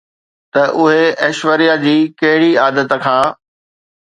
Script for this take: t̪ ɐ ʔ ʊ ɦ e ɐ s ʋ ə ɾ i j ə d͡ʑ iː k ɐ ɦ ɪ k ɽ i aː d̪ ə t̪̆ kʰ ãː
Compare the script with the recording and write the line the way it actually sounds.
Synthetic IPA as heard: t̪ ɐ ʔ ʊ ɦ e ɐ ʃ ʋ ə ɾ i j a d͡ʑ iː k ɐ ɦ ɪ ɽ i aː d̪ ə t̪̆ kʰ ãː